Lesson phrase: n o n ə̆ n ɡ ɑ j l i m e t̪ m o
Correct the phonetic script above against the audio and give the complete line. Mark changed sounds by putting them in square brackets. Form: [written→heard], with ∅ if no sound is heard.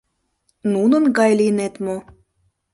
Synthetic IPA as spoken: n [o→u] n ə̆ n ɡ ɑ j l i [m→n] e t̪ m o